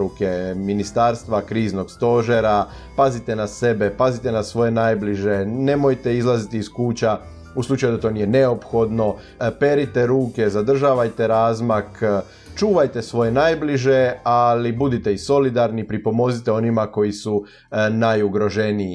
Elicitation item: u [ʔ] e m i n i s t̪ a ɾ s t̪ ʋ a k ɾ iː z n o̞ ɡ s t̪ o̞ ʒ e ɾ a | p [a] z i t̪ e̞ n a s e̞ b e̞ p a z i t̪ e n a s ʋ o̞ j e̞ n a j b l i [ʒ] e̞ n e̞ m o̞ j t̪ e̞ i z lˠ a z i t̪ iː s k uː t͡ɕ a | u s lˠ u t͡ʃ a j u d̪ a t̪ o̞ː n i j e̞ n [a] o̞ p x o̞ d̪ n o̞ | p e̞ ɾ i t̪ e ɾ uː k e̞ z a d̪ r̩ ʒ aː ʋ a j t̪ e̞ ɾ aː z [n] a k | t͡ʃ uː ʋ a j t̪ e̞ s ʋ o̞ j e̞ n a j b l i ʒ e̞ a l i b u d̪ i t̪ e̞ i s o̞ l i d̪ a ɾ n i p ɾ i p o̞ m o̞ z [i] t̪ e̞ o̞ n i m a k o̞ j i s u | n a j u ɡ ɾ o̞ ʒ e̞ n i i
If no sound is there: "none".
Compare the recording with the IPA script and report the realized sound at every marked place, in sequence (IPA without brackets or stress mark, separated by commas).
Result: k, a, ʒ, e, m, i